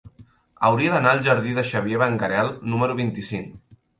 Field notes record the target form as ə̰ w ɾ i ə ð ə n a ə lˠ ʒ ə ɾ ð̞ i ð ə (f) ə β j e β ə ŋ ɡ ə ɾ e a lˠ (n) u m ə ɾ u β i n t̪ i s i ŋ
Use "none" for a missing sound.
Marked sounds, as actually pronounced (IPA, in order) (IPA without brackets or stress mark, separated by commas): ʃ, n